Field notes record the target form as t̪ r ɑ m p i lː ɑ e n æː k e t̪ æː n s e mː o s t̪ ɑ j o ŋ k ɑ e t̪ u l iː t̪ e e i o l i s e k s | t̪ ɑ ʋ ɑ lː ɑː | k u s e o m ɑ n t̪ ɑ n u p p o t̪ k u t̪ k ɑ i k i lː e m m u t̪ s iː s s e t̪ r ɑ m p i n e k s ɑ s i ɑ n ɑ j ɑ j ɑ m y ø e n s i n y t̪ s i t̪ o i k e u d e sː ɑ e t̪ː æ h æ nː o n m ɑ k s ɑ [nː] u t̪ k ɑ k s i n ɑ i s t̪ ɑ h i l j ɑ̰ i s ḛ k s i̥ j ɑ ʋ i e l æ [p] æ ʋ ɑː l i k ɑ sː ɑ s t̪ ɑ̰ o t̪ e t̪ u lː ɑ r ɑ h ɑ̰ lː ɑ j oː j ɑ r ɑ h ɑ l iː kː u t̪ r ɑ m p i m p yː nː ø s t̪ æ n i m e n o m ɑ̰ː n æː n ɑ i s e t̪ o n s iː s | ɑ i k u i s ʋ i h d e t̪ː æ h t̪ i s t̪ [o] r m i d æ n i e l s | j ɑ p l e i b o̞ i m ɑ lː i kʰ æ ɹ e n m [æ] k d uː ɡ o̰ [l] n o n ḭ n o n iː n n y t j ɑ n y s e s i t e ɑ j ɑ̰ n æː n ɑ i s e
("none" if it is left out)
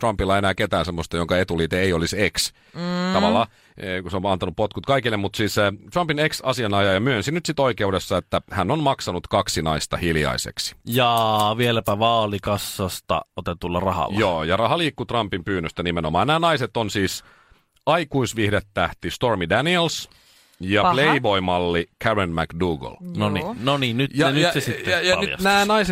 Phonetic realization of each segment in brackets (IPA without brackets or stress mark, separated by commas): n, p, o, æ, l